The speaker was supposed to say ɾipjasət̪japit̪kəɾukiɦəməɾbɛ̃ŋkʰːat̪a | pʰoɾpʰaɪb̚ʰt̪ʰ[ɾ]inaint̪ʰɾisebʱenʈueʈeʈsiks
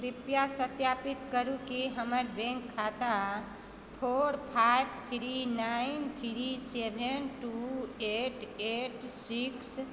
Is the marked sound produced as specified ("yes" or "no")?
yes